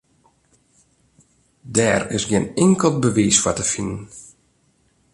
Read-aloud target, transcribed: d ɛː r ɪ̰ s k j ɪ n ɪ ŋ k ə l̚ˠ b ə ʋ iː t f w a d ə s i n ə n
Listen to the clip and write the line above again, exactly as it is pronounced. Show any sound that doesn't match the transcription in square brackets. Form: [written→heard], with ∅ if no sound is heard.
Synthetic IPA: d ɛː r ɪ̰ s [k→ɡ] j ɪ n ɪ ŋ k ə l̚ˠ b ə ʋ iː [t→s] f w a [d→t] ə [s→f] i n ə n